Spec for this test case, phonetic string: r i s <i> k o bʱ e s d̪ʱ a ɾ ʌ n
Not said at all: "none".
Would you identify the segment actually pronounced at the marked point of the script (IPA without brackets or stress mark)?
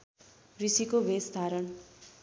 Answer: i